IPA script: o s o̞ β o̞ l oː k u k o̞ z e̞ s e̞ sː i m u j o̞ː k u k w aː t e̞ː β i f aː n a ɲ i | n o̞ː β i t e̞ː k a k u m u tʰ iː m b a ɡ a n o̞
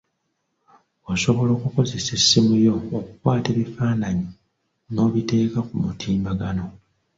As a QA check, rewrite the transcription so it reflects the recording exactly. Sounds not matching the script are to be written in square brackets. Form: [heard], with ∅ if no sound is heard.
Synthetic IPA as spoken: o s o̞ β o̞ l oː k u k o̞ z e̞ s e̞ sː i m u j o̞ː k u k w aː t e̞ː β i f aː n a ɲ i | n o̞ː β i t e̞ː k a k u m u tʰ iː m b a ɡ a n o̞